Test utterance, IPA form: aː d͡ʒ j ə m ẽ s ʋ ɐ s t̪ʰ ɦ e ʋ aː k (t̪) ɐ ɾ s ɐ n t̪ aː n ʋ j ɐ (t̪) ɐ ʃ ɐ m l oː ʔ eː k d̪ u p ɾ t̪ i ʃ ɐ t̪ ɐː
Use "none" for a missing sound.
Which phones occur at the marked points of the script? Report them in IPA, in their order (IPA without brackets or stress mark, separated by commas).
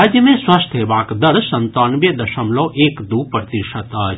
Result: d̪, d̪